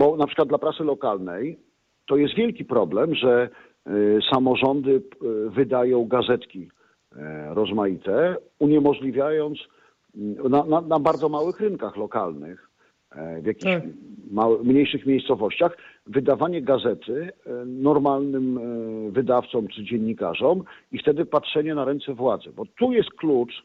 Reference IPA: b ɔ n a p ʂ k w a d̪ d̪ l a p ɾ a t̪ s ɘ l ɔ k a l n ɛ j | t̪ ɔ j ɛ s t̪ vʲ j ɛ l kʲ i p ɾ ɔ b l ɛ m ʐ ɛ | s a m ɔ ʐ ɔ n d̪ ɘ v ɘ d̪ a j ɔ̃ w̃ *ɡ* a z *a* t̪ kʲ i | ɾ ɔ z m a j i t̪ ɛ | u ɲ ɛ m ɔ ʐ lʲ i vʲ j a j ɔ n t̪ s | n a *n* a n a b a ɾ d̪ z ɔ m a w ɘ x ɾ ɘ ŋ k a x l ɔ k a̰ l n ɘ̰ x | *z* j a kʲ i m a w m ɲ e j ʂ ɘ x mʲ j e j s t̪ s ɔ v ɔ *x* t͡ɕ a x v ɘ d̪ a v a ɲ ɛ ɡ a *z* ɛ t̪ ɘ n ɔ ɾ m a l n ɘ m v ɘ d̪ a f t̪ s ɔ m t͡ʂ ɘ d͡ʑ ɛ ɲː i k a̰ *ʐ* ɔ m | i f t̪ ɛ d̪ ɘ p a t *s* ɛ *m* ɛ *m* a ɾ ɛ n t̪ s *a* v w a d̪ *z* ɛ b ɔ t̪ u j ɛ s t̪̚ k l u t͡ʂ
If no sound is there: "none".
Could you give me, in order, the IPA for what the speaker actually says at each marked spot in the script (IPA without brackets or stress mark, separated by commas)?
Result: ɡ, ɛ, n, v, ɕ, z, ʐ, ʂ, ɲ, n, ɛ, z